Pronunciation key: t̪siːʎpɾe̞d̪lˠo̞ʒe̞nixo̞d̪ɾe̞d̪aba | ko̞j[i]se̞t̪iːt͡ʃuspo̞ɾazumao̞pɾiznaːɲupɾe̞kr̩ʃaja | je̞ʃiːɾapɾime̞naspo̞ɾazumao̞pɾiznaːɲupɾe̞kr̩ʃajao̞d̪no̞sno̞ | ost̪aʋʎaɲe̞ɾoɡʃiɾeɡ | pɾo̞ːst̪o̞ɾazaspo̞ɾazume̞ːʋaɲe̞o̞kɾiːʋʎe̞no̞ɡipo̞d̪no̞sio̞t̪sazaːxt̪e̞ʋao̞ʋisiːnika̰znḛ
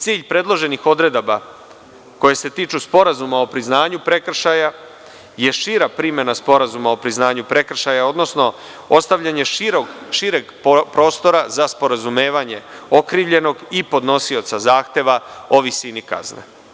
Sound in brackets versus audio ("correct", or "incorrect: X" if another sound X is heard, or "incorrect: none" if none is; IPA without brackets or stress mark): incorrect: e